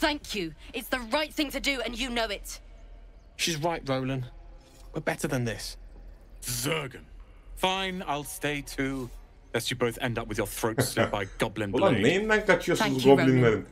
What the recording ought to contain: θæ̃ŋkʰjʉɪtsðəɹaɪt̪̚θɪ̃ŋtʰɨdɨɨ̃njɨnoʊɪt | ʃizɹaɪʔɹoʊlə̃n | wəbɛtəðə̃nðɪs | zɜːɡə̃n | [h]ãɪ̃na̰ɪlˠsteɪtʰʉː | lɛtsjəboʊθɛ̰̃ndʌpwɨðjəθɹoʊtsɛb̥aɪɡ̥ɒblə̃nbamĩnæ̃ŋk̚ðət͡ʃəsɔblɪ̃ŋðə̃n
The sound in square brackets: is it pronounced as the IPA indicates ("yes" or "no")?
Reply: no